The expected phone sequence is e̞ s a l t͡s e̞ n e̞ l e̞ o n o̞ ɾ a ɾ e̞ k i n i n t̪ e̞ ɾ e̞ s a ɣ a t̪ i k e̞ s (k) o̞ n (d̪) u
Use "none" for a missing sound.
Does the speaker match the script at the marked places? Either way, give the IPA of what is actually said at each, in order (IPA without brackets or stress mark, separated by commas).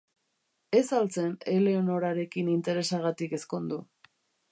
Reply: k, d̪